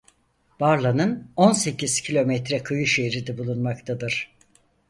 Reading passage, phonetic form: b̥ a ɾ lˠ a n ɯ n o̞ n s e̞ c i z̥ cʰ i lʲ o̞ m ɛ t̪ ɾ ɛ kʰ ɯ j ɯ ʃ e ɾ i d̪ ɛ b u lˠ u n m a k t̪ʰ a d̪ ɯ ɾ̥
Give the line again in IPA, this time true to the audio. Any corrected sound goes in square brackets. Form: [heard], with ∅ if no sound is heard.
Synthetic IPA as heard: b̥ a ɾ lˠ a n ɯ n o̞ n s e̞ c i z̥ cʰ i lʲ o̞ m ɛ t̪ ɾ ɛ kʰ ɯ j ɯ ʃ e ɾ i d̪ ɛ b u lˠ u n m a k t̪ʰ a d̪ ɯ ɾ̥